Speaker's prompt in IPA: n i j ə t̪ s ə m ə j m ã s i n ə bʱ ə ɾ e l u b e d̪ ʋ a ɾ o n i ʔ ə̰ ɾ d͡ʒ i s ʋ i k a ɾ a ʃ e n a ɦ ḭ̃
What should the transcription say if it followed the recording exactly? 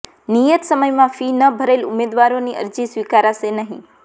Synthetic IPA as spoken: n i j ə t̪ s ə m ə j m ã f i n ə bʱ ə ɾ e l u m e d̪ ʋ a ɾ o n i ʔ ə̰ ɾ d͡ʒ i s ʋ i k a ɾ a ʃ e n ə ɦ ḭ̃